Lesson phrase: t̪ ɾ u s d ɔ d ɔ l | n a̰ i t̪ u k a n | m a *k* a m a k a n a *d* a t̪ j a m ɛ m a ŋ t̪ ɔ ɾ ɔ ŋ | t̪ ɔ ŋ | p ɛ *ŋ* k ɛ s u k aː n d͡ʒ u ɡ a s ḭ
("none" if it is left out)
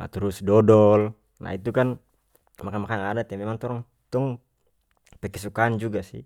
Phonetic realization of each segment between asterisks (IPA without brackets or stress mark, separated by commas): k, d, none